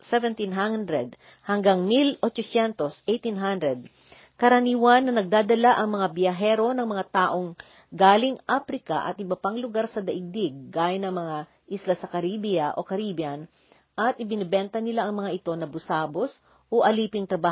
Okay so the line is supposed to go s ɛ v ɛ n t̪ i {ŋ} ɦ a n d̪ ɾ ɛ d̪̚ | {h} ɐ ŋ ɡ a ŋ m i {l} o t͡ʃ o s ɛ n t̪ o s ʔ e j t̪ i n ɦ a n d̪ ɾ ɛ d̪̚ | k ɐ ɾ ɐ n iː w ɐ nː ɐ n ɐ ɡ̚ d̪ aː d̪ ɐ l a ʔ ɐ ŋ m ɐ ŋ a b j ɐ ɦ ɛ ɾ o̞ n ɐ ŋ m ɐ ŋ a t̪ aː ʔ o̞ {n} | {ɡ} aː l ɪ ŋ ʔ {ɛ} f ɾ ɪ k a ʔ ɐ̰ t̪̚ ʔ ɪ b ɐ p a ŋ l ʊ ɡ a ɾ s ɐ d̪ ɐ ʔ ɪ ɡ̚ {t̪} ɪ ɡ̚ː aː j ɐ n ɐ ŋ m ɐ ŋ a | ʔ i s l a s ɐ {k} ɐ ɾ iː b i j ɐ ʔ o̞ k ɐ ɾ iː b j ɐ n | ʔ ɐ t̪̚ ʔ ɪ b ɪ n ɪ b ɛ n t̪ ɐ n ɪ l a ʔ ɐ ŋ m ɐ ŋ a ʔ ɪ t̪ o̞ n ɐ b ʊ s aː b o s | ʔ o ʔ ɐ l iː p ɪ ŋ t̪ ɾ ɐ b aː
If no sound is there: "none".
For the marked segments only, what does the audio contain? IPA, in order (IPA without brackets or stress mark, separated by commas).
n, h, l, ŋ, ɡ, a, d̪, k